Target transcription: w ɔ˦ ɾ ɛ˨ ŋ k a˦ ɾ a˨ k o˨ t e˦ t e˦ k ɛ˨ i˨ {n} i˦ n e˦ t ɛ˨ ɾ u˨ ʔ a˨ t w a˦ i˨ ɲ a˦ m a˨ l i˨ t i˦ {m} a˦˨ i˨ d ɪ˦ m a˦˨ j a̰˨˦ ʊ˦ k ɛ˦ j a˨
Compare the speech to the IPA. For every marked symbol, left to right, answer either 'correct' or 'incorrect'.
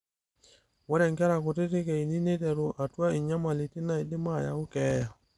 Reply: correct, incorrect

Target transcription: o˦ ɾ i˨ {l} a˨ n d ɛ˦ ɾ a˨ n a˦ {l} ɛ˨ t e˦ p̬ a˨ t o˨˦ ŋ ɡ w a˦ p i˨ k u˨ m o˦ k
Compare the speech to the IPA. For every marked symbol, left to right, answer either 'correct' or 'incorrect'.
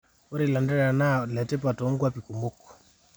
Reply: correct, correct

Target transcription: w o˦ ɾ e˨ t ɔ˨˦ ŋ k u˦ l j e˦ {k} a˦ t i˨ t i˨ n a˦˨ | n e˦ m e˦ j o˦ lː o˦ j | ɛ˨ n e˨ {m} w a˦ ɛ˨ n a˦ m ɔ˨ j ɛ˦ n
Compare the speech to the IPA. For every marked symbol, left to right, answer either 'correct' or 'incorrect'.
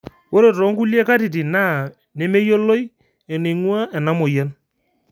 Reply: correct, incorrect

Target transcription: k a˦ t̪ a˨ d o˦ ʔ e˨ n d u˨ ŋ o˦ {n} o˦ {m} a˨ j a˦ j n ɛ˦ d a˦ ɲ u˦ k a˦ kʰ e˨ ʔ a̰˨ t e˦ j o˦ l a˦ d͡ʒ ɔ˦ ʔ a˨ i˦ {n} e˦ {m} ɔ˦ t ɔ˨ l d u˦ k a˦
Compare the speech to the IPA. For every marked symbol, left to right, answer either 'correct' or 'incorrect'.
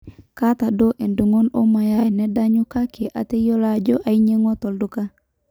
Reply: correct, correct, incorrect, incorrect

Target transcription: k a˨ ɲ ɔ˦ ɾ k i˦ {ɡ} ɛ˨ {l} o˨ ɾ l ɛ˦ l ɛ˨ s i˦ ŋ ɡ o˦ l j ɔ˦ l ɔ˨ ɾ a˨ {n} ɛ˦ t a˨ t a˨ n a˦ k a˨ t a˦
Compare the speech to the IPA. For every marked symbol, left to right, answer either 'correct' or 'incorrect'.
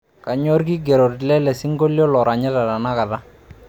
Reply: correct, incorrect, incorrect

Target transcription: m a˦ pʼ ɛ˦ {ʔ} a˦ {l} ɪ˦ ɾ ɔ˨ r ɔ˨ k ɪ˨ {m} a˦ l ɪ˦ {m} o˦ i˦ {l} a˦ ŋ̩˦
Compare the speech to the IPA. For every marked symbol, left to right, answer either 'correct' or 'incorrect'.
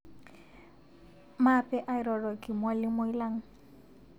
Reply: correct, incorrect, correct, correct, correct

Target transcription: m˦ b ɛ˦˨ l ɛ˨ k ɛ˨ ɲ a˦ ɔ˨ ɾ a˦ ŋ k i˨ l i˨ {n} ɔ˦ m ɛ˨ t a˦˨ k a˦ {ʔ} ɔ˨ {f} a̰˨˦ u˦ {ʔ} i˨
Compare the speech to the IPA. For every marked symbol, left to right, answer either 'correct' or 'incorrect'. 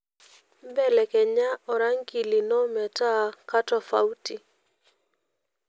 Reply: correct, incorrect, correct, incorrect

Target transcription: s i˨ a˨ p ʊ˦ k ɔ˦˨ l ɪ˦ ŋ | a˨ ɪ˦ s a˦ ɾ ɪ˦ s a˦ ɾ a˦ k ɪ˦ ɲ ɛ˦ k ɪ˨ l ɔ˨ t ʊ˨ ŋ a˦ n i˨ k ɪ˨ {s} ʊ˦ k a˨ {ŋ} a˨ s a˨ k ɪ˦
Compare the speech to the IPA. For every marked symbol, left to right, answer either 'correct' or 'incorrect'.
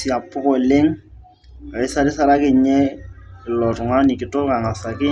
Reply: incorrect, correct

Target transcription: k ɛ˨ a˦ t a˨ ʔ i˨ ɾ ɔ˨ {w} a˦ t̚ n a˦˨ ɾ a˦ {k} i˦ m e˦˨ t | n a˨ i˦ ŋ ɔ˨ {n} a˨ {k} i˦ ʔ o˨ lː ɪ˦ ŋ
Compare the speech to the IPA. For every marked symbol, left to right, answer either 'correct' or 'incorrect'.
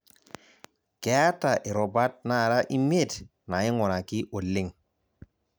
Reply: incorrect, incorrect, correct, correct

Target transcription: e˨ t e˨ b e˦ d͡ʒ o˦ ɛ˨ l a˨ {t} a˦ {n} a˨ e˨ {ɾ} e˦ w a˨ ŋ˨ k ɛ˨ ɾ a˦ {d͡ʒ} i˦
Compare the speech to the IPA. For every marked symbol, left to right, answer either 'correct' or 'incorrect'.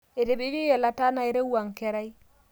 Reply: correct, correct, correct, incorrect

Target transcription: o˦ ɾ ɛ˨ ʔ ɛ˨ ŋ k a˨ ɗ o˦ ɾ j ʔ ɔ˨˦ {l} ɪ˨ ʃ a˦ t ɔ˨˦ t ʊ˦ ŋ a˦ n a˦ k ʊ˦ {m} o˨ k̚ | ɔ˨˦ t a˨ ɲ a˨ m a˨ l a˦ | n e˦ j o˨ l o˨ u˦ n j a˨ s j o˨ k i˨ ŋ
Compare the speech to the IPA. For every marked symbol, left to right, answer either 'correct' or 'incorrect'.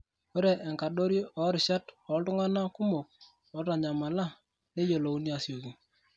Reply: incorrect, correct

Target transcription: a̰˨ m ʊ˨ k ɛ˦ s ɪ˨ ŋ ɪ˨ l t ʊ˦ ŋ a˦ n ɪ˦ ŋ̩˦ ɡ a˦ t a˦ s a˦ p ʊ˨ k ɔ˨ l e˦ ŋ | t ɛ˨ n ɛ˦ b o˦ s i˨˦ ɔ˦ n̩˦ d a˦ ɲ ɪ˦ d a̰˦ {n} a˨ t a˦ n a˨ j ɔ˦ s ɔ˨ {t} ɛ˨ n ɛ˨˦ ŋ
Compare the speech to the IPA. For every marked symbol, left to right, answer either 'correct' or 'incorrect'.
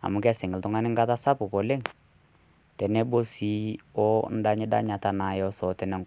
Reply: incorrect, correct

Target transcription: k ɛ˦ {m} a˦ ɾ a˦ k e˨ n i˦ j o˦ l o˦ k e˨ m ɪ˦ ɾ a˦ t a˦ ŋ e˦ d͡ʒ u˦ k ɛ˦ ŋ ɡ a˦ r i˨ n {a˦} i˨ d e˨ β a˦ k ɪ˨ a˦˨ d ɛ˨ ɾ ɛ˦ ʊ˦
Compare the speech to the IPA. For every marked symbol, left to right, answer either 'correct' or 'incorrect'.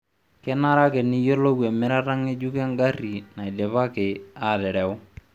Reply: incorrect, incorrect

